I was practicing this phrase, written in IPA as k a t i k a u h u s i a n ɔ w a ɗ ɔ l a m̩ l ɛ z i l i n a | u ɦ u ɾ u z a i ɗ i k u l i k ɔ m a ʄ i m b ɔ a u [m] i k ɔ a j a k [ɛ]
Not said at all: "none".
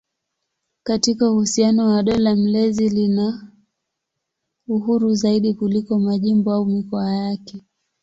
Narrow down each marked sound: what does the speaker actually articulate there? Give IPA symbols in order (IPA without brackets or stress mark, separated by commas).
m, ɛ